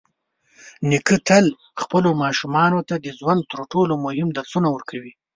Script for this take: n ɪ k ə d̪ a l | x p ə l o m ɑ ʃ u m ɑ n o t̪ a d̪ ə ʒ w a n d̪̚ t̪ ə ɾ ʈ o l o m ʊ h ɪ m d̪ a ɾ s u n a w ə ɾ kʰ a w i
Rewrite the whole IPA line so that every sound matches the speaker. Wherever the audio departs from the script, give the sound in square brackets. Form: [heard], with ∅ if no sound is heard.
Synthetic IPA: n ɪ k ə [t̪] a l | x p ə l o m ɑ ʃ u m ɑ n o t̪ a d̪ ə [z] w a n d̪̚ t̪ ə ɾ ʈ o l o m ʊ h ɪ m d̪ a ɾ s u n a w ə ɾ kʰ a w i